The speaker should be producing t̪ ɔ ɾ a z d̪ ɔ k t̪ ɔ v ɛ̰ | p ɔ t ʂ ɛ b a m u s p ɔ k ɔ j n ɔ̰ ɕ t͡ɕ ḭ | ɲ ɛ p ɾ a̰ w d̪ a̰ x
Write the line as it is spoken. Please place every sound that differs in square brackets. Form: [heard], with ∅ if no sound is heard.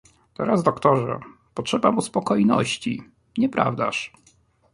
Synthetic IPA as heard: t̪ ɔ ɾ a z d̪ ɔ k t̪ ɔ [ʐ] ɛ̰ | p ɔ t ʂ ɛ b a m u s p ɔ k ɔ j n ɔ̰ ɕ t͡ɕ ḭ | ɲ ɛ p ɾ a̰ [v] d̪ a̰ [ʂ]